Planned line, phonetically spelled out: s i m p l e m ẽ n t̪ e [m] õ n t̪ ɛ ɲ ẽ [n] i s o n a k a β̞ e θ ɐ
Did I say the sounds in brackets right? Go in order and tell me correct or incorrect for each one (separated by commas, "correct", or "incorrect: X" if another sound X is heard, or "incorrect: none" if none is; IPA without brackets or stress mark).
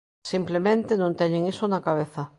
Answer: incorrect: n, incorrect: ŋ